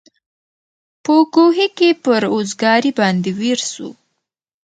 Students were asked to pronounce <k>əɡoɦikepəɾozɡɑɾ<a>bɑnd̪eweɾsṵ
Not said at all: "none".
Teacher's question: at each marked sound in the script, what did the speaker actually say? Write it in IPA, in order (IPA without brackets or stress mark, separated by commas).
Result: p, i